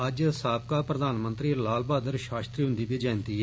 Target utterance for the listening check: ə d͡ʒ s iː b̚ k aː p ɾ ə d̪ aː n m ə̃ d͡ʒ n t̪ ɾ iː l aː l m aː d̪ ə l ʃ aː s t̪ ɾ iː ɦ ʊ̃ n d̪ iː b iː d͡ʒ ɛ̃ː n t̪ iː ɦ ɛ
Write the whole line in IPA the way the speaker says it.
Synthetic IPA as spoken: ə d͡ʒ s aː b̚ k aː p ɾ ə d̪ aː n m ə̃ n t̪ ɾ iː l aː l b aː d̪ ə ɾ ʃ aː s t̪ ɾ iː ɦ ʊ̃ n d̪ iː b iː d͡ʒ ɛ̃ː n t̪ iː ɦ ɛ